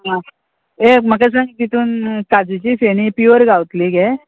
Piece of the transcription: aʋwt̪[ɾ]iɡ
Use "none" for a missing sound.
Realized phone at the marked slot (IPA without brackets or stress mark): l